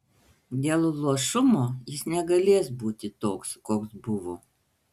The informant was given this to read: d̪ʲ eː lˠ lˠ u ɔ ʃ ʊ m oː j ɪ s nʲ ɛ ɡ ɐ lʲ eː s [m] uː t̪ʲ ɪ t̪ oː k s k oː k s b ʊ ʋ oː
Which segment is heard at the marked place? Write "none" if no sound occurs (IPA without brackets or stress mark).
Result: b